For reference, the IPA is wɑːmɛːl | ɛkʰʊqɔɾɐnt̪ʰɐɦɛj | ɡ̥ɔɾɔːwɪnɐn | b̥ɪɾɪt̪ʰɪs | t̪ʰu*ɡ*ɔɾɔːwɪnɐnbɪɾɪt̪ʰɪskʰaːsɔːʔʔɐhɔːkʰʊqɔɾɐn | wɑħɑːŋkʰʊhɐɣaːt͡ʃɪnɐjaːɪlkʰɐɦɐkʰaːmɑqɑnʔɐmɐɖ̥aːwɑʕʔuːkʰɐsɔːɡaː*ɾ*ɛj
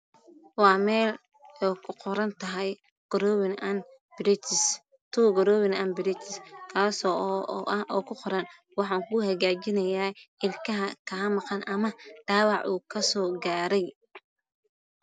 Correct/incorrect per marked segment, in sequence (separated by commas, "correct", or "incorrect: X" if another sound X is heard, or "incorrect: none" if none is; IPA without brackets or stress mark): correct, correct